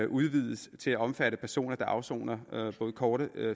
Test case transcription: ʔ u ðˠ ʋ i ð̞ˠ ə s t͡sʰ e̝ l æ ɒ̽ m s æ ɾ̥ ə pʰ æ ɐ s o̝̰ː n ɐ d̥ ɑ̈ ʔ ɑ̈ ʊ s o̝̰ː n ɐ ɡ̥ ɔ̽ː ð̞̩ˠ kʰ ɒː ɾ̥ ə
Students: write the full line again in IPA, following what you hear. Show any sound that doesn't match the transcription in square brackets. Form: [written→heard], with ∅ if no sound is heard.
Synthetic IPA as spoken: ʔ u ðˠ ʋ i ð̞ˠ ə s t͡sʰ e̝ l æ ɒ̽ m [s→f] æ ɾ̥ ə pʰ æ ɐ s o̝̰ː n ɐ d̥ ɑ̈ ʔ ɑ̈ ʊ s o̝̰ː n ɐ [ɡ̥→b̥] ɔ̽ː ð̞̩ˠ kʰ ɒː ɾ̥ ə